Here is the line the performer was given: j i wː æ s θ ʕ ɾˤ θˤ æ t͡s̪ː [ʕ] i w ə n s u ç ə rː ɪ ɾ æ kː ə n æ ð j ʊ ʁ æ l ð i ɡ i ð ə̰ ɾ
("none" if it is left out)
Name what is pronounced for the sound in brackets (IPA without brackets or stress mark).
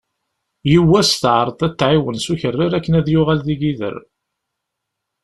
ʕ